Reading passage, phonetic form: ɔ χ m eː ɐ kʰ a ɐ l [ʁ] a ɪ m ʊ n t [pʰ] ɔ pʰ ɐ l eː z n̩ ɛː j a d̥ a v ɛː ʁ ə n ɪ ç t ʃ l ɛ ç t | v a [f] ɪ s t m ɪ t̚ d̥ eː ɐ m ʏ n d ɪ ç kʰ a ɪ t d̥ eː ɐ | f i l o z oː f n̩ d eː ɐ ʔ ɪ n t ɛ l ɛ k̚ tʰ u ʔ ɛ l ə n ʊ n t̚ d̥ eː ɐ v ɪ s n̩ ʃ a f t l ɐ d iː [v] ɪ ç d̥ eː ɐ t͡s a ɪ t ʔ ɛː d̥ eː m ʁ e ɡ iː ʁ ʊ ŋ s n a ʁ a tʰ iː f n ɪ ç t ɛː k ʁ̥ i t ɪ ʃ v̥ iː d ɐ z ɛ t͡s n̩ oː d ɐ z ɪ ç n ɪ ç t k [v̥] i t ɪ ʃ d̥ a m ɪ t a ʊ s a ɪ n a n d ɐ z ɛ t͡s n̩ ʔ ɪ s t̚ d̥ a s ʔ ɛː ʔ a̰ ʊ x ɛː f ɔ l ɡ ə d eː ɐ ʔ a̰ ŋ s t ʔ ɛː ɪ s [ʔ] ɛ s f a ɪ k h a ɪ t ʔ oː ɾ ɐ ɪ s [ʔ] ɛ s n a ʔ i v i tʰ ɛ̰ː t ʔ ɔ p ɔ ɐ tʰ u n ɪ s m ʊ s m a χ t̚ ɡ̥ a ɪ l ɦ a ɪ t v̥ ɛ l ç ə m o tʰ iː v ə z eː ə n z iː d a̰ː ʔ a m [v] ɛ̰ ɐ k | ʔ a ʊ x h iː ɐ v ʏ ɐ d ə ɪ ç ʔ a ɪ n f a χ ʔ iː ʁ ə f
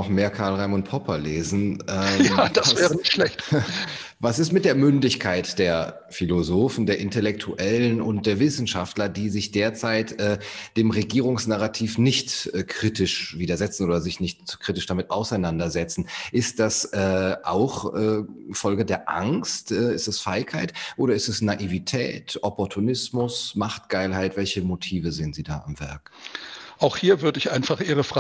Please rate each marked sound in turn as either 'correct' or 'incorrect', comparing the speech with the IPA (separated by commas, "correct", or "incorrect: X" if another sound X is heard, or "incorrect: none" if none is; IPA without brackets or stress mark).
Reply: correct, correct, incorrect: s, incorrect: z, incorrect: ʁ̥, incorrect: t, incorrect: t, correct